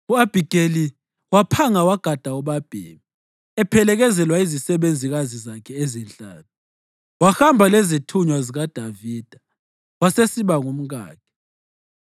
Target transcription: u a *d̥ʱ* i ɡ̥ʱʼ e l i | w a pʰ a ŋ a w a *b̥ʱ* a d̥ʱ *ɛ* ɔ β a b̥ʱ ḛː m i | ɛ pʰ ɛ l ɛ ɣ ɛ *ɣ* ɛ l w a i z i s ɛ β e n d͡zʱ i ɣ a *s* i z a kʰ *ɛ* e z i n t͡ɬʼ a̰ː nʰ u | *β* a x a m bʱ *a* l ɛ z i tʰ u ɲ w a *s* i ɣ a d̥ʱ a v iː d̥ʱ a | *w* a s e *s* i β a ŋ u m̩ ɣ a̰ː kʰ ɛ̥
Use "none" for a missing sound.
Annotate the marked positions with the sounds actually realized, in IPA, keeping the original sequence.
b̥ʱ, ɡ̥ʱ, a, z, z, ɛ, w, a, z, w, s

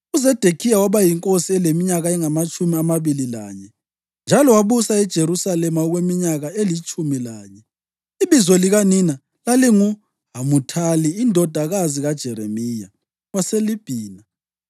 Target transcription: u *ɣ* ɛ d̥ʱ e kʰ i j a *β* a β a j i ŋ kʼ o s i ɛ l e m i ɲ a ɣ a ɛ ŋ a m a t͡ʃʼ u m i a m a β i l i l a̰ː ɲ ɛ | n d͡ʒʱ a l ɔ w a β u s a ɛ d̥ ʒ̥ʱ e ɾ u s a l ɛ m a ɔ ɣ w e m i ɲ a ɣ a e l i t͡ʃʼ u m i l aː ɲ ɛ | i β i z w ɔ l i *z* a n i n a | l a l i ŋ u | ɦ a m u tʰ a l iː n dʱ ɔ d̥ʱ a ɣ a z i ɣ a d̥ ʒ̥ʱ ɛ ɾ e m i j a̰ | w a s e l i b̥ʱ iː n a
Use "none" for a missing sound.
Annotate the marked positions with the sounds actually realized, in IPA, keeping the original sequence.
z, w, ɣ

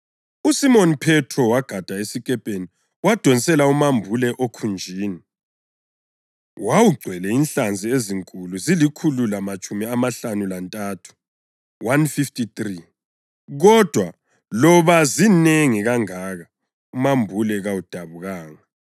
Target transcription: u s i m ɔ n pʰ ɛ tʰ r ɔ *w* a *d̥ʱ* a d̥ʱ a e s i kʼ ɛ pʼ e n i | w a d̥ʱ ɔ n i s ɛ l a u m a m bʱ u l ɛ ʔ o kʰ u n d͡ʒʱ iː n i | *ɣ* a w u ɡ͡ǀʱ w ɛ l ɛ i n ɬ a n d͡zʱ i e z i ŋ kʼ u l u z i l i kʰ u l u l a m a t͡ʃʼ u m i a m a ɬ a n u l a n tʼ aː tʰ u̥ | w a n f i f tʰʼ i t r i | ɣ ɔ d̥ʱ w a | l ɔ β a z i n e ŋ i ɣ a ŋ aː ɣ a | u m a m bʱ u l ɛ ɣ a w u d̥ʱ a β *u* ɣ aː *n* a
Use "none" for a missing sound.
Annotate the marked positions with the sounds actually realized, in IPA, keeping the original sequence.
w, ɡ̥ʱ, w, u, ŋ

